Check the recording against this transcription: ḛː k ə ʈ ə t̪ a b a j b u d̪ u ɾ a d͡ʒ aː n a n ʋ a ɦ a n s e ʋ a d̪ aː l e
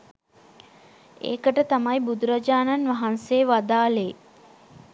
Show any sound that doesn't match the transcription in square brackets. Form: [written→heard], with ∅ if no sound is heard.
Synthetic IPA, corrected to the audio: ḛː k ə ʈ ə t̪ a [b→m] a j b u d̪ u ɾ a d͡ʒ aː n a n ʋ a ɦ a n s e ʋ a d̪ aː l e